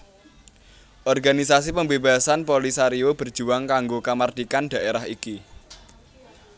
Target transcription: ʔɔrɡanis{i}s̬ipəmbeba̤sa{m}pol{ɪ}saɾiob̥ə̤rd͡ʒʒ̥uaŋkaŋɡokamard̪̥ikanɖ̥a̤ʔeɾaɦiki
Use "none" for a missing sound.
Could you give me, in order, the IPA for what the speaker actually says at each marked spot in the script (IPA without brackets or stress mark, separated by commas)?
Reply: a, n, i